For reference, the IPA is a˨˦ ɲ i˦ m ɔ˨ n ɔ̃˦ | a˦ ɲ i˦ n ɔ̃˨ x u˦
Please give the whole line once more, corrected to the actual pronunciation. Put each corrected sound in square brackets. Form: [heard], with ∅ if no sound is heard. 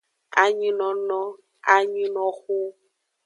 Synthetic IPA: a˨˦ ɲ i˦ [n] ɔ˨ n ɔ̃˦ | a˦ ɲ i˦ n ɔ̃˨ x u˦